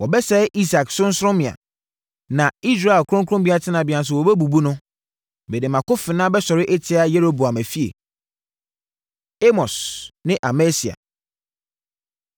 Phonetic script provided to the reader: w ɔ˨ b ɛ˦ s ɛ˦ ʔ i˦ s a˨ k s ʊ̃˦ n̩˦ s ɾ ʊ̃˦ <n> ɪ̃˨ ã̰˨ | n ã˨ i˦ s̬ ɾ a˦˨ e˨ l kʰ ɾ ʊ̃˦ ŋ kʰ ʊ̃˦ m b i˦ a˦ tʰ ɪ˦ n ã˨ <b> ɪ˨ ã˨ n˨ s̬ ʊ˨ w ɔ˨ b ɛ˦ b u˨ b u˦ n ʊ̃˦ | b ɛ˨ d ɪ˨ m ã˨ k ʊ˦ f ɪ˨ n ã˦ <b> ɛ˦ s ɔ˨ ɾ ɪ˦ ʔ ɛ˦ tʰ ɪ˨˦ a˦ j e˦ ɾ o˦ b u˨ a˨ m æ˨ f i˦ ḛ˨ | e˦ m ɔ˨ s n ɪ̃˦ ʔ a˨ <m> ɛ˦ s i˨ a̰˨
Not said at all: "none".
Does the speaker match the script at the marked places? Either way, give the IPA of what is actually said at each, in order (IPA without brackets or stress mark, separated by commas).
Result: m, b, b, m